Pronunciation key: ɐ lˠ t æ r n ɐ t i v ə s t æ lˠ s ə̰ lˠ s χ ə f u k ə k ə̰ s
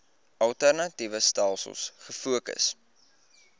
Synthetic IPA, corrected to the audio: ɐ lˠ t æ r n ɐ t i v ə s t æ lˠ s ə̰ lˠ s χ ə f u ə k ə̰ s